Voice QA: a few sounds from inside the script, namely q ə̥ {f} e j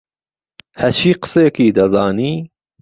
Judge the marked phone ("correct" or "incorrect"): incorrect